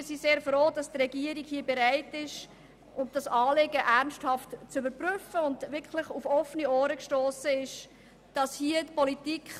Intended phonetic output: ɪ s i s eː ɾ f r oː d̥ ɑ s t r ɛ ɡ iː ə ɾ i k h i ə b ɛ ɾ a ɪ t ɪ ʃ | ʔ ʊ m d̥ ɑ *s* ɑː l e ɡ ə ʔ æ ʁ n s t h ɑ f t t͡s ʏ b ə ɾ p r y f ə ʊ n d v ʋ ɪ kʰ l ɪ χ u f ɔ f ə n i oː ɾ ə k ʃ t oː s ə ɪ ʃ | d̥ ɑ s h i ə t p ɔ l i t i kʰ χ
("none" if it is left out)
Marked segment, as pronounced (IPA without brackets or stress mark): s